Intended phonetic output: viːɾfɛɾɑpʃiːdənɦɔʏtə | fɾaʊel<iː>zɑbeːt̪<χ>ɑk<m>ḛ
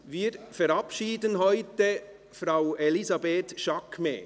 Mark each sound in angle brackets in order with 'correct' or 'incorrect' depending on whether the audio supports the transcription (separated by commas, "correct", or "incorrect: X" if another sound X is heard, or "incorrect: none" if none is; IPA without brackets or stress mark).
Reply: incorrect: i, incorrect: ʃ, correct